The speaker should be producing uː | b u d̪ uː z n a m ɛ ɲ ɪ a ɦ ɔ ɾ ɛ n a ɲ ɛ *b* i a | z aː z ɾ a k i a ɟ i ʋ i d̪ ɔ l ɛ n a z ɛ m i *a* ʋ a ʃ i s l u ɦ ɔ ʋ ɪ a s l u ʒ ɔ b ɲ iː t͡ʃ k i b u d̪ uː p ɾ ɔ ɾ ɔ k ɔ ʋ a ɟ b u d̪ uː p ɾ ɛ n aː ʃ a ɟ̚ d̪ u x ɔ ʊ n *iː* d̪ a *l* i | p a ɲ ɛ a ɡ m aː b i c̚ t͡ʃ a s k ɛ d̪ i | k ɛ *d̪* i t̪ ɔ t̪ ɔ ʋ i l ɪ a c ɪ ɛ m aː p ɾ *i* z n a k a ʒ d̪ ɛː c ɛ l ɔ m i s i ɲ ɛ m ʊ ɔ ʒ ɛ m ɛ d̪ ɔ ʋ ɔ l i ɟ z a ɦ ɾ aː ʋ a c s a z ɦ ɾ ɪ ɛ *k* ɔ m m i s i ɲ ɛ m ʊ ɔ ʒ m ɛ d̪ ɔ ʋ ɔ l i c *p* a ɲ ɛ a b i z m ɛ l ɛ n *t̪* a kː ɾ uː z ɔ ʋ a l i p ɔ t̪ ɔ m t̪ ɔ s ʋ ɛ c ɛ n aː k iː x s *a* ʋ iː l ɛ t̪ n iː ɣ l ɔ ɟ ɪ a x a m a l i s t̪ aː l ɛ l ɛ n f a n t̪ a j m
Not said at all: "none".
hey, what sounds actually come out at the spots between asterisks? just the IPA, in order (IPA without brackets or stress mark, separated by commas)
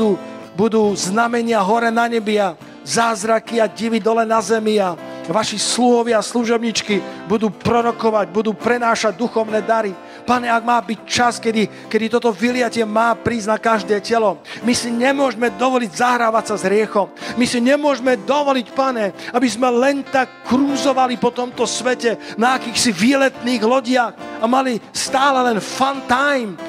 b, a, ɛː, ɾ, d̪, iː, x, p, t̪, i